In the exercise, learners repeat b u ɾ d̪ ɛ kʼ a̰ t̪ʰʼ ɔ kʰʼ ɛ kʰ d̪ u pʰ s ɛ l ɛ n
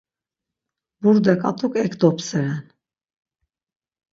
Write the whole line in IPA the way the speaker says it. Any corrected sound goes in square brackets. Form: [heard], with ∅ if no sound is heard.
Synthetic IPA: b u ɾ d̪ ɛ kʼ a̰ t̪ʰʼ [u] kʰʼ ɛ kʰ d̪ [ɔ] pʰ s ɛ [ɾ] ɛ n